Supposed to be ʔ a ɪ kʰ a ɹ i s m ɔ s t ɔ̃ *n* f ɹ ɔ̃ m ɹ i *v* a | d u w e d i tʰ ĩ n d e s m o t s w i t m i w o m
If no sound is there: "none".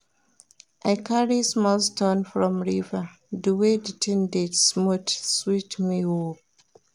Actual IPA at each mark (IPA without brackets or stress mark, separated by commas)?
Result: n, v